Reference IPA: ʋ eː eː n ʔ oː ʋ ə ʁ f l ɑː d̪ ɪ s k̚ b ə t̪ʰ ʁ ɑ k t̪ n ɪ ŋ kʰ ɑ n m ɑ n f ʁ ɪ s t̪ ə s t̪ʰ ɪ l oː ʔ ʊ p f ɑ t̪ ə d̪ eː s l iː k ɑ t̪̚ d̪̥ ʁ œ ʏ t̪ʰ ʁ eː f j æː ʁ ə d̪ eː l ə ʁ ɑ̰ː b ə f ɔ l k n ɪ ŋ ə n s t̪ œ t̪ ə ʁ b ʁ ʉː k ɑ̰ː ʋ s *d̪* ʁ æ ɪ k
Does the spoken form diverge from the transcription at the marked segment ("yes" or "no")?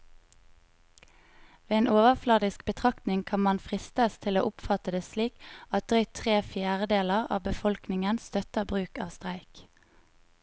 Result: yes